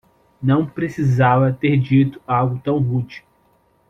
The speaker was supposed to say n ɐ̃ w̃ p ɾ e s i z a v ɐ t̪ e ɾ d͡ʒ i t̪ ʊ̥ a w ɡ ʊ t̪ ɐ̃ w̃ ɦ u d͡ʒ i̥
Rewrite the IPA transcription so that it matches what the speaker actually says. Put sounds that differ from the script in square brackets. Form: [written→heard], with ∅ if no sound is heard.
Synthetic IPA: n ɐ̃ w̃ p ɾ e s i z a v ɐ t̪ e ɾ d͡ʒ i t̪ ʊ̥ a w ɡ ʊ t̪ ɐ̃ w̃ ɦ u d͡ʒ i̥